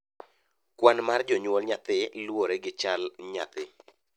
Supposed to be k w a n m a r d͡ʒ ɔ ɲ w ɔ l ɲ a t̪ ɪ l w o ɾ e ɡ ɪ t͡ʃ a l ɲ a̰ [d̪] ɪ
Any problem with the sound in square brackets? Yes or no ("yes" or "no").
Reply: yes